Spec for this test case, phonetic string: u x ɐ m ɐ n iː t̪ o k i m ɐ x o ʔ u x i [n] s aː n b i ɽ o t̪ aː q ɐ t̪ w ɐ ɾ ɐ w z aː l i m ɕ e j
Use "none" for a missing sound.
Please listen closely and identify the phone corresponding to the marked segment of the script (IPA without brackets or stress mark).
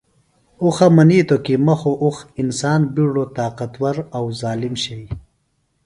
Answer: n